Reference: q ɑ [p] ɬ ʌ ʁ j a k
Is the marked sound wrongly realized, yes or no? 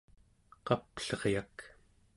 no